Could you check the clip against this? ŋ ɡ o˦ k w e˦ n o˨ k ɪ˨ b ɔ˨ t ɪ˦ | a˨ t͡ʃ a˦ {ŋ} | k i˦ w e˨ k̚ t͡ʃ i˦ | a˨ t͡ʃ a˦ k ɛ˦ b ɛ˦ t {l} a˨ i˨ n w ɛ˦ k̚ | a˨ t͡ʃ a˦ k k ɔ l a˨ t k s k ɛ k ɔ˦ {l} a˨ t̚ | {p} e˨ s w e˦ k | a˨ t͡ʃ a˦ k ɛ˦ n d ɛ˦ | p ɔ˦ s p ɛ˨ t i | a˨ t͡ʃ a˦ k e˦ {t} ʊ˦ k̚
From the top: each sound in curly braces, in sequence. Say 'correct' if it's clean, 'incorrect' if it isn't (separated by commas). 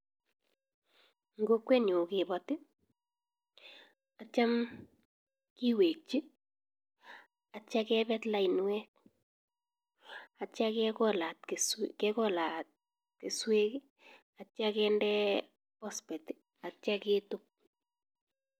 incorrect, correct, correct, incorrect, correct